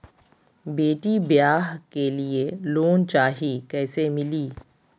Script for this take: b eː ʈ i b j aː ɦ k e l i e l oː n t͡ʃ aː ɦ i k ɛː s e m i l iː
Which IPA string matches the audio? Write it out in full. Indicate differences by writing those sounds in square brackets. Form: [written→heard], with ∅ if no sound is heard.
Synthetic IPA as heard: b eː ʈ i b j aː ɦ k e l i e l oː n t͡ʃ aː ɦ i k ɛː s e m [i→ɪ] l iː